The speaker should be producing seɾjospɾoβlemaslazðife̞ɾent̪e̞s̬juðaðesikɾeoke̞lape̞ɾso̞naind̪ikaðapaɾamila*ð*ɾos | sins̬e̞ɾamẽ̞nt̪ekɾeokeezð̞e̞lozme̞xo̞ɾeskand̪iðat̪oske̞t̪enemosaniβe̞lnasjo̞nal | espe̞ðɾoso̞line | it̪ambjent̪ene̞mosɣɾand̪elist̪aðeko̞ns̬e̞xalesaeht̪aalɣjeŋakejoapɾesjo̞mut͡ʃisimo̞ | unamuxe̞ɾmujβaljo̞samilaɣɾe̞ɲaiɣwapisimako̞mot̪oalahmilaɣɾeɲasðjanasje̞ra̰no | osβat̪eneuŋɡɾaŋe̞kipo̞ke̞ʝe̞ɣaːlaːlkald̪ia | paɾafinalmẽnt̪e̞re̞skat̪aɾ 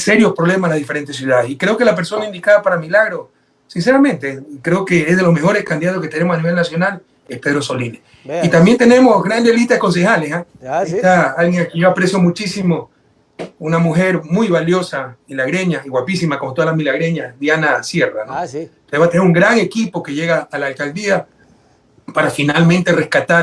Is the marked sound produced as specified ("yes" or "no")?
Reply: no